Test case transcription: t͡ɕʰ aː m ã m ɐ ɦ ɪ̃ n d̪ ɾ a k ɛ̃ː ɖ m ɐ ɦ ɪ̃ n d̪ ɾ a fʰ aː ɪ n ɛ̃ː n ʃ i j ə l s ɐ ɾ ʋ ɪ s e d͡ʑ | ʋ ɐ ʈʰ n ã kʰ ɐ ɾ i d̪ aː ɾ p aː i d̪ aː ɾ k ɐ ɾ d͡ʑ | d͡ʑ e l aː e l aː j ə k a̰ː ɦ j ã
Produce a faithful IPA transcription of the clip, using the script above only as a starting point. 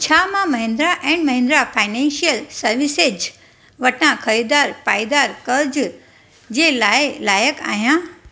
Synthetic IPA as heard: t͡ɕʰ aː m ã m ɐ ɦ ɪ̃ n d̪ ɾ a ʔ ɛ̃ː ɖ m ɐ ɦ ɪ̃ n d̪ ɾ a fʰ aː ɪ n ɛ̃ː n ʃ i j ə l s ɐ ɾ ʋ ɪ s e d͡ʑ | ʋ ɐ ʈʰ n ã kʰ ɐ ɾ i d̪ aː ɾ p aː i d̪ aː ɾ k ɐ ɾ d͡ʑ | d͡ʑ e l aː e l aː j ə k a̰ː ɦ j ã